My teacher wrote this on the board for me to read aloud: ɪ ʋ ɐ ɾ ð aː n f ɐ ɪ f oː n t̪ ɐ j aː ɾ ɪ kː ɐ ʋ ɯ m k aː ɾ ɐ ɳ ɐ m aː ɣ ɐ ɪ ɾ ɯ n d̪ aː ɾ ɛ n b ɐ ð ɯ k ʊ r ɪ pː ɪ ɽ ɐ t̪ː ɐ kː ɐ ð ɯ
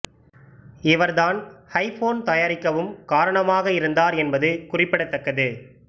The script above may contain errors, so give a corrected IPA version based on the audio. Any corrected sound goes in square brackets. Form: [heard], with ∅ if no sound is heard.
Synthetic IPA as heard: ɪ ʋ ɐ ɾ ð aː n [h] ɐ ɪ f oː n t̪ ɐ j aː ɾ ɪ kː ɐ ʋ ɯ m k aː ɾ ɐ ɳ ɐ m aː ɣ ɐ ɪ ɾ ɯ n d̪ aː ɾ ɛ n b ɐ ð ɯ k ʊ r ɪ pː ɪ ɽ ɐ t̪ː ɐ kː ɐ ð ɯ